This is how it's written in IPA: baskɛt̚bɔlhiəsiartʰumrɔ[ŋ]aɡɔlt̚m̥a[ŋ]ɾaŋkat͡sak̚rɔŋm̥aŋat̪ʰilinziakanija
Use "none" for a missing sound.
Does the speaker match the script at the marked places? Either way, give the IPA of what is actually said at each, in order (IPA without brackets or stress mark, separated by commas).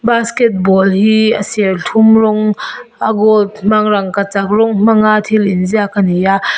ŋ, ŋ